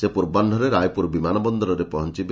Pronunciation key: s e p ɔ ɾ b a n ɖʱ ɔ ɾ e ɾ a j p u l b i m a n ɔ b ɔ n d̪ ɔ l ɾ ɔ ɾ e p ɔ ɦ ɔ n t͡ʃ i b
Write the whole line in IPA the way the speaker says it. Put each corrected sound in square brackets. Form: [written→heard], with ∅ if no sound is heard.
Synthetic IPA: s e p [ɔ→u] ɾ b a n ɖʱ ɔ ɾ e ɾ a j p u [l→ɾ] b i m a n ɔ b ɔ n d̪ ɔ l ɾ ɔ ɾ e p ɔ ɦ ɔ n t͡ʃ i b